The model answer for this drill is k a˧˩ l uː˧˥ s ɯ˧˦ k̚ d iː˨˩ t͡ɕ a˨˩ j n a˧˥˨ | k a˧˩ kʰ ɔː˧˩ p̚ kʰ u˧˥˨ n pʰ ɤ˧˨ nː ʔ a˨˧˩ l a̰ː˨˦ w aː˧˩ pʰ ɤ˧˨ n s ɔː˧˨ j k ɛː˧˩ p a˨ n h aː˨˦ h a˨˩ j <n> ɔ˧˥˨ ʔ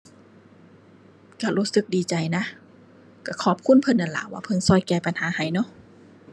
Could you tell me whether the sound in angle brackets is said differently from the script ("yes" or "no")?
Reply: no